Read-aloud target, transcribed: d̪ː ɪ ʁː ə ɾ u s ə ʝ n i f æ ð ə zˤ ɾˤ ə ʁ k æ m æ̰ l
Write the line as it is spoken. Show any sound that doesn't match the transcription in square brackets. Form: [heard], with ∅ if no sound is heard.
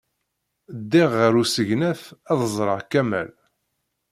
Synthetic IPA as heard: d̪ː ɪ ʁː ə ɾ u s ə ʝ n [æ] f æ ð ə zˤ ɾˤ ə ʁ k æ m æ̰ l